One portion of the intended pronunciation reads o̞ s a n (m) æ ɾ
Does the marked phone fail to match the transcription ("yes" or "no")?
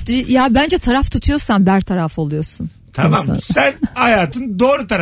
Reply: yes